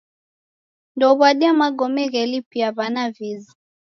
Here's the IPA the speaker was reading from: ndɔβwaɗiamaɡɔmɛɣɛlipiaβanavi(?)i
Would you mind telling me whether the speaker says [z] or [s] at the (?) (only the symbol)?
z